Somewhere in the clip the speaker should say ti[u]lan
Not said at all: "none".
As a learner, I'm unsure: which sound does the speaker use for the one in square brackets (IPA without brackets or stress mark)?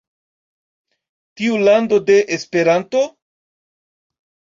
u